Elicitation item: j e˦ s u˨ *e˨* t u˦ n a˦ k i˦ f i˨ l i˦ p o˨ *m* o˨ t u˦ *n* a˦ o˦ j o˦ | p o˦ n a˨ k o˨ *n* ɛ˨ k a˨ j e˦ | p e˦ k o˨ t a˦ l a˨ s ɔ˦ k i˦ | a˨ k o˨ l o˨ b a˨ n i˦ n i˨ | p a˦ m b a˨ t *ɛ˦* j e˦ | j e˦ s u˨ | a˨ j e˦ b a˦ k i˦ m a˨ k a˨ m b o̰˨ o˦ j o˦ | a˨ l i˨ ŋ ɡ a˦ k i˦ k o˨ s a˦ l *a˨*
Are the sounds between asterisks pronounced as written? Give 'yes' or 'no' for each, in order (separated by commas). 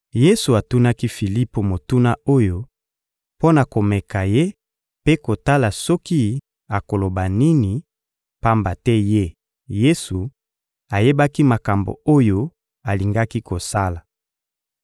no, yes, yes, no, yes, yes